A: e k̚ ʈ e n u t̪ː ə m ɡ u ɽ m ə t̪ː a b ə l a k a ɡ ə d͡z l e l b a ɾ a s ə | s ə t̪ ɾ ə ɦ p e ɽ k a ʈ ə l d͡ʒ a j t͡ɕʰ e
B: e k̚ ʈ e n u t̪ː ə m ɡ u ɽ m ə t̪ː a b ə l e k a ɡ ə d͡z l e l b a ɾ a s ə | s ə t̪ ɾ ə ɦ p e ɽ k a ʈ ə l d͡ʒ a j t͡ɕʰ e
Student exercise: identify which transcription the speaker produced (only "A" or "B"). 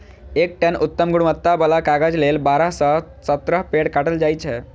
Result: A